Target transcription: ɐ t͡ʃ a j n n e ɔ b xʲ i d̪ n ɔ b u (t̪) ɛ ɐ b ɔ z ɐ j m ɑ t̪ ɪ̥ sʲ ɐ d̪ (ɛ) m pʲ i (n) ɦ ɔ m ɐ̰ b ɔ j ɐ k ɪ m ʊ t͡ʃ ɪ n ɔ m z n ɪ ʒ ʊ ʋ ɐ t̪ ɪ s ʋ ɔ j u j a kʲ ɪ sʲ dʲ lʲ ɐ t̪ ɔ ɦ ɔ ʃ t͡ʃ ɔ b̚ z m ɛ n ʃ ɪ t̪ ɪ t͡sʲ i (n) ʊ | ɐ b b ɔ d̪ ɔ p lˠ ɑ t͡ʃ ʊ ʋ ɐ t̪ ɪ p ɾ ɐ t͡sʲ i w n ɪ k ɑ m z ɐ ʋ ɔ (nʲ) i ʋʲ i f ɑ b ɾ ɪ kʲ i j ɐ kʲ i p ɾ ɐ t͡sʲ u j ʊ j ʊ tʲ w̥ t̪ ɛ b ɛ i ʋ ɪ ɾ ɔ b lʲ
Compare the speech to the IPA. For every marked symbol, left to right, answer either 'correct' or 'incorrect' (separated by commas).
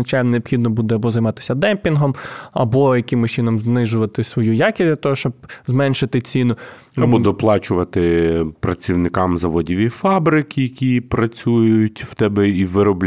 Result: incorrect, correct, correct, correct, incorrect